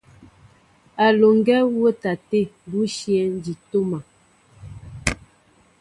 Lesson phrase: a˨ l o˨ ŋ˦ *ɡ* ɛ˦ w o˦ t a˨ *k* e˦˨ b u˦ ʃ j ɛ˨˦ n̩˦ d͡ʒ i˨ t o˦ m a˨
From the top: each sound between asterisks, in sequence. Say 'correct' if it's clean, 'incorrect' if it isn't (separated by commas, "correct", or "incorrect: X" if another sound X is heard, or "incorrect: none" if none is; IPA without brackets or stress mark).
correct, incorrect: t